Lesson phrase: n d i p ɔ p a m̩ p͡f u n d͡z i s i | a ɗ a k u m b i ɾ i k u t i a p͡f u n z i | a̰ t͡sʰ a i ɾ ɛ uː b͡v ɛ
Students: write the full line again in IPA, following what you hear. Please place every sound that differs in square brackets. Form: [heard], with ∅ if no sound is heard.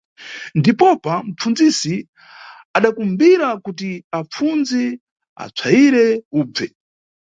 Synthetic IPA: n d i p ɔ p a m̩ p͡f u n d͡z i s i | a ɗ a k u m b i ɾ [a] k u t i a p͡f u n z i | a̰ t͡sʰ a i ɾ ɛ uː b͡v ɛ

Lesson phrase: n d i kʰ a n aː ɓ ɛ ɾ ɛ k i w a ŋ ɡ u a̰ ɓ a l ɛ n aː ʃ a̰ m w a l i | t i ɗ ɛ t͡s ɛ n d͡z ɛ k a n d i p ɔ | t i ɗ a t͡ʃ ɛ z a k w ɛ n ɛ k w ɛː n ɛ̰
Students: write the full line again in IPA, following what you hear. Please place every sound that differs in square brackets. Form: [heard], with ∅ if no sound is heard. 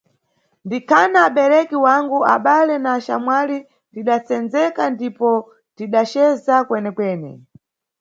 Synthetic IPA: n d i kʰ a n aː ɓ ɛ ɾ ɛ k i w a ŋ ɡ u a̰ ɓ a l ɛ n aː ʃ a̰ m w a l i | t i ɗ [a] t͡s ɛ n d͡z ɛ k a n d i p ɔ | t i ɗ a t͡ʃ ɛ z a k w ɛ n ɛ k w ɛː n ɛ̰

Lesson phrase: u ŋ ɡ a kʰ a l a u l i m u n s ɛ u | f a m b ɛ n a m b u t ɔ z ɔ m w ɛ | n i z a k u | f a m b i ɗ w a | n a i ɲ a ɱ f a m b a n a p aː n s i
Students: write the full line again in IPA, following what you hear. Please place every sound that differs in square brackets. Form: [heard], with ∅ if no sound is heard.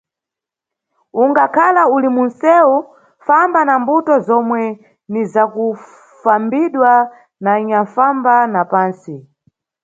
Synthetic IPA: u ŋ ɡ a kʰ a l a u l i m u n s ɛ u | f a m b [a] n a m b u t ɔ z ɔ m w ɛ | n i z a k u | f a m b i ɗ w a | n a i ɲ a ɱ f a m b a n a p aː n s i

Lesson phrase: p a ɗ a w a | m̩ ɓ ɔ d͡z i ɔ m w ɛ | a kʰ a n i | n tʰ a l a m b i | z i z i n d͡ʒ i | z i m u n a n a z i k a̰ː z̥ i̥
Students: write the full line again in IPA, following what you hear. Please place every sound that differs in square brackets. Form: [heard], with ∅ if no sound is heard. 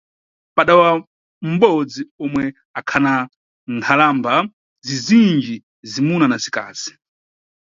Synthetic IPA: p a ɗ a w a | m̩ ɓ ɔ d͡z i ɔ m w ɛ | a kʰ a n [a] | n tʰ a l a m b [a] | z i z i n d͡ʒ i | z i m u n a n a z i k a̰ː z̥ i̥

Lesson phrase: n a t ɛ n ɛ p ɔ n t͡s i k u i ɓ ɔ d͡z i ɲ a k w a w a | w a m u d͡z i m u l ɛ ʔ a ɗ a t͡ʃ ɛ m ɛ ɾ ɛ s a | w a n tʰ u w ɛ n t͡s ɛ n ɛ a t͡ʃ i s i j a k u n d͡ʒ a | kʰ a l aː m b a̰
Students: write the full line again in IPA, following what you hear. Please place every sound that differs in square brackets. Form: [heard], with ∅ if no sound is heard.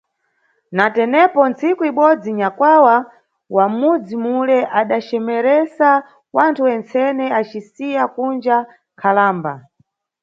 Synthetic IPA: n a t ɛ n ɛ p ɔ n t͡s i k u i ɓ ɔ d͡z i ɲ a k w a w a | w a m u d͡z i m u l ɛ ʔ a ɗ a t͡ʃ ɛ m ɛ ɾ ɛ s a | w a n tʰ u w ɛ n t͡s ɛ n ɛ a t͡ʃ i s i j a k u n d͡ʒ a | kʰ a l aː m b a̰

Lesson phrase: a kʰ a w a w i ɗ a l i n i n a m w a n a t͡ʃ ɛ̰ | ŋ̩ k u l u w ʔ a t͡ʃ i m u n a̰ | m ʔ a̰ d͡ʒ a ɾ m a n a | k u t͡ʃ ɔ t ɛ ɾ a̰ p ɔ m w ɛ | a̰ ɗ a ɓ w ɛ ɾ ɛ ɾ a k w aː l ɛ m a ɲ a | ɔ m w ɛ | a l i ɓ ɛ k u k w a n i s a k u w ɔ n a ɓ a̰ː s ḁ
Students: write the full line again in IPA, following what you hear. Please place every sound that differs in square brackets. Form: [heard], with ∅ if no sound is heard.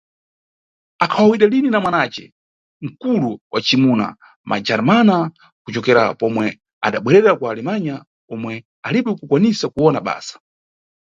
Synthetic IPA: a kʰ a w a w i ɗ a l i n i n a m w a n a t͡ʃ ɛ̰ | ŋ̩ k u l u w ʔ a t͡ʃ i m u n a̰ | m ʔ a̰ d͡ʒ a ɾ m a n a | k u t͡ʃ ɔ [k] ɛ ɾ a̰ p ɔ m w ɛ | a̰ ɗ a ɓ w ɛ ɾ ɛ ɾ a k w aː l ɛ m a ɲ a | ɔ m w ɛ | a l i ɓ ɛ k u k w a n i s a k u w ɔ n a ɓ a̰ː s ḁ

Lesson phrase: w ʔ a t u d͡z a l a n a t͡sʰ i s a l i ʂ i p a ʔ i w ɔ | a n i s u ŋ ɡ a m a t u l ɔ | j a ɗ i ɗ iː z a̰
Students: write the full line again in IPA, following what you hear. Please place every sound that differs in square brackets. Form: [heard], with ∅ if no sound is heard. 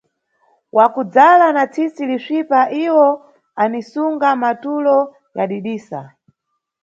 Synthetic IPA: w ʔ a [k] u d͡z a l a n a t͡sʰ i s [i] l i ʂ i p a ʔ i w ɔ | a n i s u ŋ ɡ a m a t u l ɔ | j a ɗ i ɗ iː [s] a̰

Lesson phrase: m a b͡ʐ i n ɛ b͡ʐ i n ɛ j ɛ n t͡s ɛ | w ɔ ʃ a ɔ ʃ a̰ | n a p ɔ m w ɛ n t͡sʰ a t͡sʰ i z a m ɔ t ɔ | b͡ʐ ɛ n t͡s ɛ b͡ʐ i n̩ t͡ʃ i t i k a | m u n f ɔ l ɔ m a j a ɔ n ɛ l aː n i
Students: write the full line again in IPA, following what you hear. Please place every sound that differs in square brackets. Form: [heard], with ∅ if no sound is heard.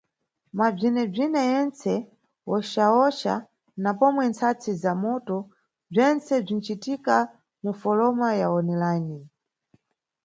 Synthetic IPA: m a b͡ʐ i n ɛ b͡ʐ i n ɛ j ɛ n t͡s ɛ | w ɔ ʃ a ɔ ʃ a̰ | n a p ɔ m w ɛ n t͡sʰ a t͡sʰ i z a m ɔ t ɔ | b͡ʐ ɛ n t͡s ɛ b͡ʐ i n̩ t͡ʃ i t i k a | m u [∅] f ɔ l ɔ m a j a ɔ n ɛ l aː n i

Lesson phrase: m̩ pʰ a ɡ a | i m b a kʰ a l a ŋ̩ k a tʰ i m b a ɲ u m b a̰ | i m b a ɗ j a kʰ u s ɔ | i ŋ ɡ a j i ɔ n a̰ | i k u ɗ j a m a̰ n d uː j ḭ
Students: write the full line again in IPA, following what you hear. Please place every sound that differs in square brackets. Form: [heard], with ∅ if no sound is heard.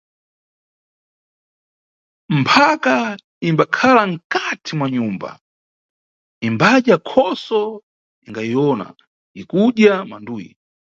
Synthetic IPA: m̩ pʰ a [k] a | i m b a kʰ a l a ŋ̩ k a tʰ i m [w] a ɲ u m b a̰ | i m b a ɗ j a kʰ [ɔ] s ɔ | i ŋ ɡ a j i ɔ n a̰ | i k u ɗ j a m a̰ n d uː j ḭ

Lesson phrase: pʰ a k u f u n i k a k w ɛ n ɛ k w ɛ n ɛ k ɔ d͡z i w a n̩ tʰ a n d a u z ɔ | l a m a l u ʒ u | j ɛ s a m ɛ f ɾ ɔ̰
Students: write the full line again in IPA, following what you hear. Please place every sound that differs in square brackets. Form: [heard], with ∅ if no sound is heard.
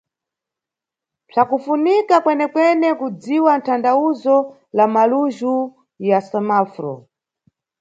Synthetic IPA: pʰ a k u f u n i k a k w ɛ n ɛ k w ɛ n ɛ k [u] d͡z i w a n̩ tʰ a n d a u z ɔ | l a m a l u ʒ u | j [a] s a m [a] f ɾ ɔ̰

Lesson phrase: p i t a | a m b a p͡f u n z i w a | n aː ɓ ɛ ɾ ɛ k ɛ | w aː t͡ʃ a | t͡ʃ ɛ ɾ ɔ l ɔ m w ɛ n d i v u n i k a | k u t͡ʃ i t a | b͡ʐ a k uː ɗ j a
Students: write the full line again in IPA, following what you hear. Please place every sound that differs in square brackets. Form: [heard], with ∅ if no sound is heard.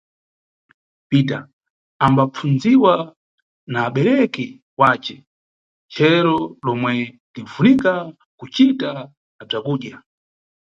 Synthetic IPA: p i t a | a m b a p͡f u n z i w a | n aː ɓ ɛ ɾ ɛ k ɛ | w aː t͡ʃ [ɛ] | t͡ʃ ɛ ɾ ɔ l ɔ m w ɛ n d i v u n i k a | k u t͡ʃ i t a | b͡ʐ a k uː ɗ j a

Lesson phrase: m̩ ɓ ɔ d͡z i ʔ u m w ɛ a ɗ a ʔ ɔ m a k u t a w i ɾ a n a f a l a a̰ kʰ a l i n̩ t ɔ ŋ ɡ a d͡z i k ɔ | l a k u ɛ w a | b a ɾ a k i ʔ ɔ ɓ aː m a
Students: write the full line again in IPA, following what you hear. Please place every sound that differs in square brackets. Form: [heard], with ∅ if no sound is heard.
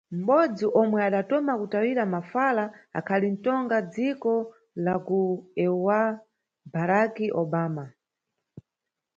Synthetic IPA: m̩ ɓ ɔ d͡z i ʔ [ɔ] m w ɛ a ɗ a [t] ɔ m a k u t a w i ɾ a [m] a f a l a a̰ kʰ a l i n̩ t ɔ ŋ ɡ a d͡z i k ɔ | l a k u ɛ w a | b a ɾ a k i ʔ ɔ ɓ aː m a

